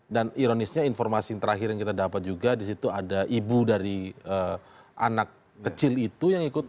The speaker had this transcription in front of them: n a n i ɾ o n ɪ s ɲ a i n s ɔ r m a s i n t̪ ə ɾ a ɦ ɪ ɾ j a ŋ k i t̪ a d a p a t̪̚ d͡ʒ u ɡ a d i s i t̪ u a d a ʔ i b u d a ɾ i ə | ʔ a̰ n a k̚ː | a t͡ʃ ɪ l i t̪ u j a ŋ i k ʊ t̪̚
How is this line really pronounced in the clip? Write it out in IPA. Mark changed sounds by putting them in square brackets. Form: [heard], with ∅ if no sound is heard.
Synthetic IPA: [d] a n i ɾ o n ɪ s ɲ a i n [f] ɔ r m a s i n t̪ ə ɾ a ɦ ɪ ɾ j a ŋ k i t̪ a d a p a t̪̚ d͡ʒ u ɡ a d i s i t̪ u a d a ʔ i b u d a ɾ i ə | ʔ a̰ n a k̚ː | [ə] t͡ʃ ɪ l i t̪ u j a ŋ i k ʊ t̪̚